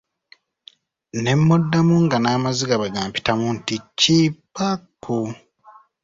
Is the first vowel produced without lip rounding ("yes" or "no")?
yes